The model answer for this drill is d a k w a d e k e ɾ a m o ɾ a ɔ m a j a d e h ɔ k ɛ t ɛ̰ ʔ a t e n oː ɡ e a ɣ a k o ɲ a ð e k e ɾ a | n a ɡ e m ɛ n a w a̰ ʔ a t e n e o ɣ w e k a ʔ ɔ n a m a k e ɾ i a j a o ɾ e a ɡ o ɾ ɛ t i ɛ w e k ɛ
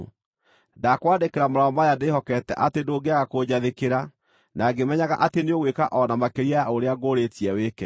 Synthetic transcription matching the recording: d a k w a d e k e ɾ a m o ɾ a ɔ m a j a d e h ɔ k ɛ t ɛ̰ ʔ a t e d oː ɡ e a ɣ a k o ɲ a ð e k e ɾ a | n a ɡ e m ɛ ɲ a ɣ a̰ ʔ a t e n e o ɣ w e k a ʔ ɔ n a m a k e ɾ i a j a o ɾ e a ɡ o ɾ e t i ɛ w e k ɛ